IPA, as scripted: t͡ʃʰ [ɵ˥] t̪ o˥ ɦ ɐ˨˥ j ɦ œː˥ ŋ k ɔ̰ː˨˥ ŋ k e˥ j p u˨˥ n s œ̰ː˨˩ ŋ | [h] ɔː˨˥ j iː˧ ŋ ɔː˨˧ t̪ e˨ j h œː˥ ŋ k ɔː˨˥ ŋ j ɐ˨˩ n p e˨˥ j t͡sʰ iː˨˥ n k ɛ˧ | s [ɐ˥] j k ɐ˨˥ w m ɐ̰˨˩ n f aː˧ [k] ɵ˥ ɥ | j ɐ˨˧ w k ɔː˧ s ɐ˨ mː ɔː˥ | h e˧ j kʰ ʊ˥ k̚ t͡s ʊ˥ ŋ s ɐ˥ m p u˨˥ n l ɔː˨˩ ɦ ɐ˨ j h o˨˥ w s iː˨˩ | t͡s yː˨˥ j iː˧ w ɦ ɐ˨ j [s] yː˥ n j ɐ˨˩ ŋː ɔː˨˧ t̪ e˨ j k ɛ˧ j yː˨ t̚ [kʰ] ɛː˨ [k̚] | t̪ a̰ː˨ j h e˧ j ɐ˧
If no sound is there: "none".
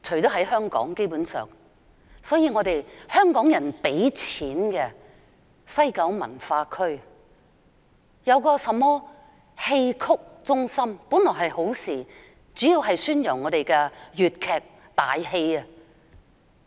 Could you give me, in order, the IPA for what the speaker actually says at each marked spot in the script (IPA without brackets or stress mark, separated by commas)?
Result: ɵ˨˩, s, ɐ˥, kʰ, s, kʰ, k̚